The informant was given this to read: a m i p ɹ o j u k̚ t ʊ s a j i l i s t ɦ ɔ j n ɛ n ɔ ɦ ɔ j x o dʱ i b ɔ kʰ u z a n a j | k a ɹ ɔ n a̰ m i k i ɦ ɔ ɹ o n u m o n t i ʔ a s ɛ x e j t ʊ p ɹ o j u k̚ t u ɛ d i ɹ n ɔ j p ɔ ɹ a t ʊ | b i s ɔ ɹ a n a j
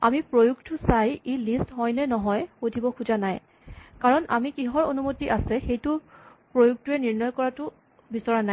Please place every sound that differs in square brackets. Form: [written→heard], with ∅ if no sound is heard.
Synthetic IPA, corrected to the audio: a m i p ɹ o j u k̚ t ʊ s a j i l i s t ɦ ɔ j n ɛ n ɔ ɦ ɔ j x o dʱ i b ɔ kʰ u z a n a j | k a ɹ ɔ n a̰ m i k i ɦ ɔ ɹ o n u m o [n→∅] t i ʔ a s ɛ x e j t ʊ p ɹ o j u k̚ t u ɛ [d→n] i ɹ n ɔ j [p→k] ɔ ɹ a t ʊ | b i s ɔ ɹ a n a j

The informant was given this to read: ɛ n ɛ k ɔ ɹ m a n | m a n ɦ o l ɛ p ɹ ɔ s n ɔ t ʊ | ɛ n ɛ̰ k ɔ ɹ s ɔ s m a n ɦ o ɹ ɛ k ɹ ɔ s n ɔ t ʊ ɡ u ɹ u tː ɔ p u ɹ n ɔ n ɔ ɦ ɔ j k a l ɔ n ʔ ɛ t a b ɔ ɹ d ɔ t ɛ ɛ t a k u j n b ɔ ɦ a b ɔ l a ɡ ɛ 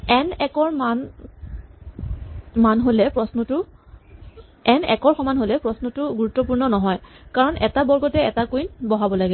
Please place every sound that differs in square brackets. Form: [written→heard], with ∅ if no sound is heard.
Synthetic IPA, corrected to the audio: ɛ n ɛ k ɔ ɹ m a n | m a n ɦ o l ɛ p ɹ ɔ s n ɔ t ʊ | ɛ n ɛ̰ k ɔ ɹ [s→x] ɔ [s→∅] m a n ɦ o [ɹ→l] ɛ [k→p] ɹ ɔ s n ɔ t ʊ ɡ u ɹ u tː ɔ p u ɹ n ɔ n ɔ ɦ ɔ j k a [l→ɹ] ɔ n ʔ ɛ t a b ɔ ɹ [d→ɡ] ɔ t ɛ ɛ t a k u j n b ɔ ɦ a b ɔ l a ɡ ɛ

